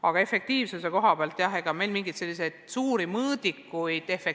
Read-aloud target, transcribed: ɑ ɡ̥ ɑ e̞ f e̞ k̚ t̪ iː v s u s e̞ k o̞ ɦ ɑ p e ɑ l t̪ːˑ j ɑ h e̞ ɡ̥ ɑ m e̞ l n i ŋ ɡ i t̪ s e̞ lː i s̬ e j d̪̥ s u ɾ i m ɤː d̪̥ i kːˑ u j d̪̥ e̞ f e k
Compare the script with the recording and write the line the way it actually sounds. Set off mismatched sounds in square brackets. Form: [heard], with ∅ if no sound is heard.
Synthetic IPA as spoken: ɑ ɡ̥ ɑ e̞ f e̞ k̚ t̪ iː v s u s e̞ k o̞ ɦ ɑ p e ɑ l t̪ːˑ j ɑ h e̞ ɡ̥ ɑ m e̞ l [m] i ŋ ɡ i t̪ s e̞ lː i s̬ e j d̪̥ s [uː] ɾ i m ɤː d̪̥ i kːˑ u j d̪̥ e̞ f e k

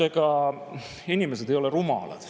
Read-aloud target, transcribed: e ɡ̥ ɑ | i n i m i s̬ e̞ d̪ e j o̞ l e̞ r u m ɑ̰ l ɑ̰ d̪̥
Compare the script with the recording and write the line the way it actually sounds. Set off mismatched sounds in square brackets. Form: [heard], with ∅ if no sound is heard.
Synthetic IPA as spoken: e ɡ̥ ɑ | i n i m [e] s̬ e̞ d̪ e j o̞ l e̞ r u m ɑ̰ l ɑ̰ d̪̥

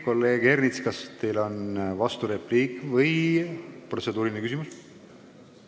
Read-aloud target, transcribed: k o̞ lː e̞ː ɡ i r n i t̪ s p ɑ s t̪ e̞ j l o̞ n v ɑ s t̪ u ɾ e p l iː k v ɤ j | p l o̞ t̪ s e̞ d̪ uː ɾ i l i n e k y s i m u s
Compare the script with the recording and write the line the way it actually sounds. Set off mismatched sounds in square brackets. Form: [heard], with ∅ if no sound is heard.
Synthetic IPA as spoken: k o̞ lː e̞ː ɡ [e] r n i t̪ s [k] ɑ s t̪ e̞ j l o̞ n v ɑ s t̪ u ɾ e p l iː k v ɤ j | p [r] o̞ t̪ s e̞ d̪ uː ɾ i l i n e k y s i m u s

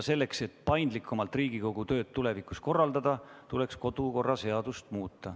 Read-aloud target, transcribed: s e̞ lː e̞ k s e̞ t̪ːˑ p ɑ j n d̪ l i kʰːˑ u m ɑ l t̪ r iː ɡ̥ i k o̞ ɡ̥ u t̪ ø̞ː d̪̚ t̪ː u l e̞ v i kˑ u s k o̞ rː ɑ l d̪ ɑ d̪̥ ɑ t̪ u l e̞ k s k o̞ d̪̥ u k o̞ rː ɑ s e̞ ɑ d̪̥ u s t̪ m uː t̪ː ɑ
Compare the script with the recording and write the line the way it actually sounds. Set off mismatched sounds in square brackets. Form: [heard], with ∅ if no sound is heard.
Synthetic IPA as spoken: s e̞ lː e̞ k s e̞ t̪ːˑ p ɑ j n d̪ l i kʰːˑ u m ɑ l t̪ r iː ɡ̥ i k o̞ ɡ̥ u t̪ ø̞ː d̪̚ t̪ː u l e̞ v i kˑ u s k o̞ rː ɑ l d̪ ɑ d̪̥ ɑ t̪ u l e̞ k s k o̞ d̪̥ u k o̞ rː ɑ s e̞ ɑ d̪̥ u s t̪ m uː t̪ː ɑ

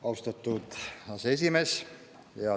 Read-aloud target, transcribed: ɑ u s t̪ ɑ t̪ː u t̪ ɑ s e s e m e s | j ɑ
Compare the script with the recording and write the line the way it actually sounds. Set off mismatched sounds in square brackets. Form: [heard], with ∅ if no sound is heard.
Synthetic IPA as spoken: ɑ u s t̪ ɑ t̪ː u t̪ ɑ s e s [i] m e s | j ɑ

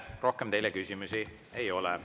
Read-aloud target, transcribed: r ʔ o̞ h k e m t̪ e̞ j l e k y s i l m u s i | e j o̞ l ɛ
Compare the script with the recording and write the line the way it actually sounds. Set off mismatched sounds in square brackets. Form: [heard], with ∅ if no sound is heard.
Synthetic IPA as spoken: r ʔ o̞ h k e m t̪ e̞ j l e k y s i [∅] m u s i | e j o̞ l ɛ

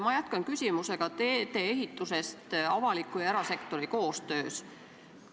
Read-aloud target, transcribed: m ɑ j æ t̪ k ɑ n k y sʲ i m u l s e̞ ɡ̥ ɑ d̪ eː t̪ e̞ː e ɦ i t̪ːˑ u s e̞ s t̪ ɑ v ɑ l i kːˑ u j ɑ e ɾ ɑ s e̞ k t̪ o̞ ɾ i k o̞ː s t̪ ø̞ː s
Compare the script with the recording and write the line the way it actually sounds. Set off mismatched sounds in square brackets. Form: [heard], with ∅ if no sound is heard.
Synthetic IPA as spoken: m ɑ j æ t̪ k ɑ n k y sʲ i m u [∅] s e̞ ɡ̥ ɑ [t̪] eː t̪ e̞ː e ɦ i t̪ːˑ u s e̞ s t̪ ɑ v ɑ l i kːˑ u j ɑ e ɾ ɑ s e̞ k t̪ o̞ ɾ i k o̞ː s t̪ ø̞ː s

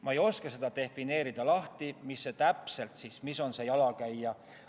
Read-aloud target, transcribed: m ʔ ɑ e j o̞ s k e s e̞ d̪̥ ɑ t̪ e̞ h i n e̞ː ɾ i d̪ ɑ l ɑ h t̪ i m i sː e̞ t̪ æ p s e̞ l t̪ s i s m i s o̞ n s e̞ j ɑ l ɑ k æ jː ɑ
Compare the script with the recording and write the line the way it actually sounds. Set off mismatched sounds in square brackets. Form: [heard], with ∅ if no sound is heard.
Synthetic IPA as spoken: m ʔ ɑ e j o̞ s k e s e̞ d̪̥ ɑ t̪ e̞ [f] i n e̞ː ɾ i d̪ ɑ l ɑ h t̪ i m i sː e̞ t̪ æ p s e̞ l t̪ s i s m i s o̞ n s e̞ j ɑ l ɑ k æ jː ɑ

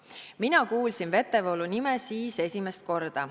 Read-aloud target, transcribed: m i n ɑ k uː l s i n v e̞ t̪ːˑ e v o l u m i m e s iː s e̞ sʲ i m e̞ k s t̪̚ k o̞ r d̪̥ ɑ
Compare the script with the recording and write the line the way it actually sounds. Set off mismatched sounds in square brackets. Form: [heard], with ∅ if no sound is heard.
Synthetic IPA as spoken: m i n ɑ k uː l s i n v e̞ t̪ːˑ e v o l u [n] i m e s iː s e̞ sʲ i m e̞ [∅] s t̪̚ k o̞ r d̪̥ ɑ

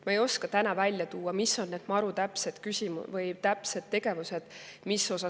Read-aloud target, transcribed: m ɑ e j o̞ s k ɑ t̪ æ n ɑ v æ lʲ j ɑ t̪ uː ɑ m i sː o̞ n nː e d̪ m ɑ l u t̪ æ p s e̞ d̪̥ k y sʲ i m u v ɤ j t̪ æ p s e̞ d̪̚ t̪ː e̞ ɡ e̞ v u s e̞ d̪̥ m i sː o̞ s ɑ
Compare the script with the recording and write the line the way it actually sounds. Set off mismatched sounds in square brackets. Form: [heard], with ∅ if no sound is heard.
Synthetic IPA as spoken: m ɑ e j o̞ s k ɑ t̪ æ n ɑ v æ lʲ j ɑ t̪ uː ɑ m i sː o̞ n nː e d̪ m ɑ [ɾ] u t̪ æ p s e̞ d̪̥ k y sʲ i m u v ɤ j t̪ æ p s e̞ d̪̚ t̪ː e̞ ɡ e̞ v u s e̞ d̪̥ m i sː o̞ s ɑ

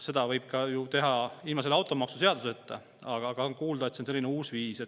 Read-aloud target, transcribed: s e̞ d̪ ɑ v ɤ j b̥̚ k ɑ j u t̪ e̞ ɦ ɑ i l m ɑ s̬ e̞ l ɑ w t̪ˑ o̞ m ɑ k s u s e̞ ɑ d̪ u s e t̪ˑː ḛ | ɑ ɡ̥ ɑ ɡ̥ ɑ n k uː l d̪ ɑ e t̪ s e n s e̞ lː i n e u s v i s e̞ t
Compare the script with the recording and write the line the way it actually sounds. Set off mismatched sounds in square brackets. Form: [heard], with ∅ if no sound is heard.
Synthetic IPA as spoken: s e̞ d̪ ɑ v ɤ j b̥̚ k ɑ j u t̪ e̞ ɦ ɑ i l m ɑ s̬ e̞ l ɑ w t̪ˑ o̞ m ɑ k s u s e̞ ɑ d̪ u s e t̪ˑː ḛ | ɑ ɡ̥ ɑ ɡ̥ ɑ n k uː l d̪ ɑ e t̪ s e n s e̞ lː i n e [uː] s v [iː] s e̞ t

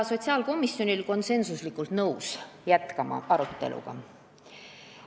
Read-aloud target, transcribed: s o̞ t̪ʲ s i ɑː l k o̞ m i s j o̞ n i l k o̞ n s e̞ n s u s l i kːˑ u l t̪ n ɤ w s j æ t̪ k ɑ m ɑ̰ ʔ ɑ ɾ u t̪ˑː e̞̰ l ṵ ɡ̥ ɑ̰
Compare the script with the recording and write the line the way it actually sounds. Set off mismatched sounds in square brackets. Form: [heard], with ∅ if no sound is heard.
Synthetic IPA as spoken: s o̞ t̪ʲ s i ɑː l k o̞ m i s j o̞ n i l k o̞ n s e̞ n s u s l i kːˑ u l t̪ n ɤ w s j æ t̪ k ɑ m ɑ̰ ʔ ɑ ɾ u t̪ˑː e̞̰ l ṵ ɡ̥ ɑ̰

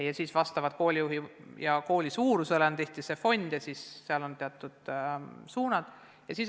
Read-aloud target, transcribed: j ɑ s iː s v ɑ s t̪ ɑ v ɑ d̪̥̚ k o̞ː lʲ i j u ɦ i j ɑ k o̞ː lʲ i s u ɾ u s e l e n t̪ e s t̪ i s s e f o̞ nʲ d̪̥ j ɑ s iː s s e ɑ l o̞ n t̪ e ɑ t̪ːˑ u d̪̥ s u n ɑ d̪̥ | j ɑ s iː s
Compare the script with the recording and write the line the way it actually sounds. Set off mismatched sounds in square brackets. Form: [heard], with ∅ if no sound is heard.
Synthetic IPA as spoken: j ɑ s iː s v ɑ s t̪ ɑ v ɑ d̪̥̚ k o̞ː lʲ i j u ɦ i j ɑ k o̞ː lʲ i s [uː] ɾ u s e l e n t̪ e [h] t̪ i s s e f o̞ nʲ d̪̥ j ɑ s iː s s e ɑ l o̞ n t̪ e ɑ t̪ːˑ u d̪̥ s [uː] n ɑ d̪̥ | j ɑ s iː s

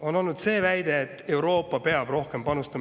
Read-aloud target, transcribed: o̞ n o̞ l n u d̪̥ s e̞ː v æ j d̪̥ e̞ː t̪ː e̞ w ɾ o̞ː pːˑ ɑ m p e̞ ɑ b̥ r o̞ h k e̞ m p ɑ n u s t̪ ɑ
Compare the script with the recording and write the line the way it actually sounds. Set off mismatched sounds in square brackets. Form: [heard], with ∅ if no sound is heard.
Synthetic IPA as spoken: o̞ n o̞ l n u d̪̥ s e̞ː v æ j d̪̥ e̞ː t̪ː e̞ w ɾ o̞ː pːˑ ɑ [∅] p e̞ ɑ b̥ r o̞ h k e̞ m p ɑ n u s t̪ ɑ

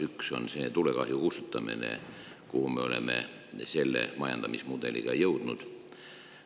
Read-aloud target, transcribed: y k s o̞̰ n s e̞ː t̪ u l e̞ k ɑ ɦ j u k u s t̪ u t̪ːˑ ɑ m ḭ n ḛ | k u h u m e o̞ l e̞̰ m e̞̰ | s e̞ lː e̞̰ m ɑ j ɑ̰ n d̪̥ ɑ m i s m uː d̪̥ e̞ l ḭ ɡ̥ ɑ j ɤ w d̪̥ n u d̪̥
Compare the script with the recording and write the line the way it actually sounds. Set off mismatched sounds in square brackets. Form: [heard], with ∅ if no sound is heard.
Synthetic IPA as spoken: y k s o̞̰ n s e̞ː t̪ u l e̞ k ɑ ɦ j u k u s t̪ u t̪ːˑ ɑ m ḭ n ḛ | k u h u m e o̞ l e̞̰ m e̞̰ | s e̞ lː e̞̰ m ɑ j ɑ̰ n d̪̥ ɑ m i s m [u] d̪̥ e̞ l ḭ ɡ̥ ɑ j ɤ w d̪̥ n u d̪̥

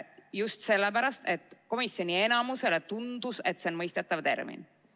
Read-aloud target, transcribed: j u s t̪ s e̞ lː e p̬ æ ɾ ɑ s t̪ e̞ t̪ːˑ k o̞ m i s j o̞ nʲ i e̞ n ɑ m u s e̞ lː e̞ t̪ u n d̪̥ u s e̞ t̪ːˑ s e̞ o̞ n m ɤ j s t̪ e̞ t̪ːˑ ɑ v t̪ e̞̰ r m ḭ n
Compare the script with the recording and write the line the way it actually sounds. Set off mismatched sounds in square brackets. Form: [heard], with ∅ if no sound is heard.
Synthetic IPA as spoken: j u s t̪ s e̞ lː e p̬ æ ɾ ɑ s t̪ e̞ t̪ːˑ k o̞ m i s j o̞ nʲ i e̞ n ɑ m u s e̞ [l] e̞ t̪ u n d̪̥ u s e̞ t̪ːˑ s e̞ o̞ n m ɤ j s t̪ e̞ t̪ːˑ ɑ v t̪ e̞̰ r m ḭ n

